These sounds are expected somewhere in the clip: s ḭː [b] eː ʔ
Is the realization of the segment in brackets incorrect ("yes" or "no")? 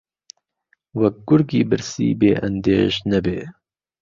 no